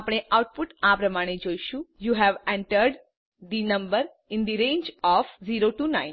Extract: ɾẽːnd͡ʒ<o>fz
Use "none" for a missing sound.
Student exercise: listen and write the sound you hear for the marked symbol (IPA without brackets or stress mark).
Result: ɔ